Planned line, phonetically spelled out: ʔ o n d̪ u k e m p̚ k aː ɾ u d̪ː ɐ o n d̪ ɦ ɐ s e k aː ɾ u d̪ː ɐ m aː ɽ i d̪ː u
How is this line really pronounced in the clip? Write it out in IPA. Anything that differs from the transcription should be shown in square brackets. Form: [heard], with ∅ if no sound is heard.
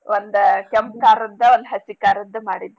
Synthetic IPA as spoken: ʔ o n d̪ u k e m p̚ k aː ɾ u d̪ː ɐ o n d̪ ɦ ɐ s [i] k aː ɾ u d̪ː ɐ m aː ɽ i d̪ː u